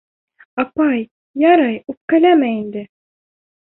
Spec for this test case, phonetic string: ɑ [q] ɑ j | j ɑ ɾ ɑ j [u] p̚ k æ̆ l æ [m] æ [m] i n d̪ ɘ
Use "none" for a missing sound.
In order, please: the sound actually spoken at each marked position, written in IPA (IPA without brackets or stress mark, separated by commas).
p, u, m, none